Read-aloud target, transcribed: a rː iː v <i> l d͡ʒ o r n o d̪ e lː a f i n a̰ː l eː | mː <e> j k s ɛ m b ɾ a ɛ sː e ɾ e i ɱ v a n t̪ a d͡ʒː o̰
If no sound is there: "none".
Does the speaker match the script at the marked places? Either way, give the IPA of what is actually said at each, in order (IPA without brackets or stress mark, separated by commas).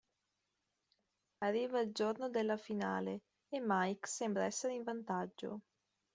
a, a